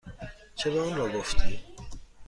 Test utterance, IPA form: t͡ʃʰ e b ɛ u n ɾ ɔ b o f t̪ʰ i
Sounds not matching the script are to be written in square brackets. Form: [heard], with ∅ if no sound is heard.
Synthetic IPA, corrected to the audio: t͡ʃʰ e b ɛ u n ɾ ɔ [ɡ] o f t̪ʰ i